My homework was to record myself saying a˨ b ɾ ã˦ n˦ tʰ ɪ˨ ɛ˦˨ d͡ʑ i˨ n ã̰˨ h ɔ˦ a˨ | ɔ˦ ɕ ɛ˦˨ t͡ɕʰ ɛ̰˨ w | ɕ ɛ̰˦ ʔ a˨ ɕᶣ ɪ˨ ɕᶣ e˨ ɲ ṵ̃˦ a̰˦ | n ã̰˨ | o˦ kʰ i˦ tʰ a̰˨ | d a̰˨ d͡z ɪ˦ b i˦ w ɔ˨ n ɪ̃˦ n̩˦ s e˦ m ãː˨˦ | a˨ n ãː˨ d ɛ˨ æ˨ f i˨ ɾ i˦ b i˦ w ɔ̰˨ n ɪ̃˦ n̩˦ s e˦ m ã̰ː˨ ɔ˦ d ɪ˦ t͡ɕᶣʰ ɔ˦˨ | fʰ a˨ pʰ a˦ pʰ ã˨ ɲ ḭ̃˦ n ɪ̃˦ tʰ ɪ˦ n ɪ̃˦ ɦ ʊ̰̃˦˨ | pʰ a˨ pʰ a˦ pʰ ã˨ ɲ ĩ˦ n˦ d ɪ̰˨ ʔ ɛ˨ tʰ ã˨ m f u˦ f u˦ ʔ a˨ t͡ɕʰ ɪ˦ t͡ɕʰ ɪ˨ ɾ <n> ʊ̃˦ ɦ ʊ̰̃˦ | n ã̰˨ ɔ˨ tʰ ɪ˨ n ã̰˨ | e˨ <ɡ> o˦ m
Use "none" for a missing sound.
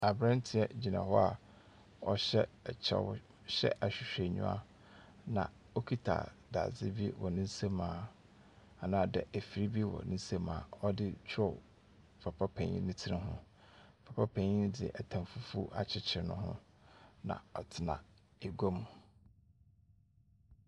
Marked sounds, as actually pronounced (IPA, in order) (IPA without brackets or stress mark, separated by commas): n, ɡ